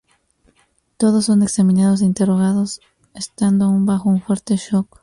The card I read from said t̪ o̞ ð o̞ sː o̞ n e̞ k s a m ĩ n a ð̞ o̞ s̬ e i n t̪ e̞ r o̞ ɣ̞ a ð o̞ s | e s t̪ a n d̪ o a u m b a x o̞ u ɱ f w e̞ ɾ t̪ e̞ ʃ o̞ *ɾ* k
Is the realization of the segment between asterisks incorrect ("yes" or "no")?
yes